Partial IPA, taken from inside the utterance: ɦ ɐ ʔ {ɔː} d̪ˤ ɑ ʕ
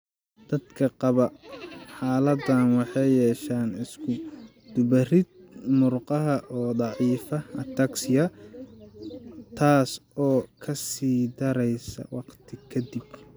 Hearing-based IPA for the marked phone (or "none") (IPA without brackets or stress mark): ɔː